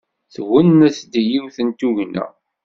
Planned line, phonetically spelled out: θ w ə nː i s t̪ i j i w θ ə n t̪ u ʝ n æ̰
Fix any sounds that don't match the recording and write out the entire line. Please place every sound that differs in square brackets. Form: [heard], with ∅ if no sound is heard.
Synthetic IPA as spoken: θ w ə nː [æ] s [d̪] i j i w θ ə n t̪ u ʝ n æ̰